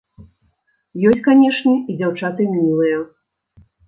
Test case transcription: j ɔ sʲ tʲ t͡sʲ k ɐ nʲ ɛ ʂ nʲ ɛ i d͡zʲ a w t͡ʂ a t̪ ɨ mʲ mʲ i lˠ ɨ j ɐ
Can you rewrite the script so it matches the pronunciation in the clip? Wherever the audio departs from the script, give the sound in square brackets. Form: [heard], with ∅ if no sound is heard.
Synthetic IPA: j ɔ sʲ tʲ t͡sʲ k [a] nʲ ɛ ʂ nʲ ɛ i d͡zʲ a w t͡ʂ a t̪ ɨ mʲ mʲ i lˠ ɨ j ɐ